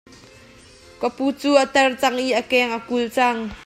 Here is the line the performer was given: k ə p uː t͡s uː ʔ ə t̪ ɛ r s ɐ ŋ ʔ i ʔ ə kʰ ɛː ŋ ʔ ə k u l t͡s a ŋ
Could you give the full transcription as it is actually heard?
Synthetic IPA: k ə p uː t͡s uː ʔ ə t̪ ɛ r t͡s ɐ ŋ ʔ i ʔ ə k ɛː ŋ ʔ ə k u l t͡s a ŋ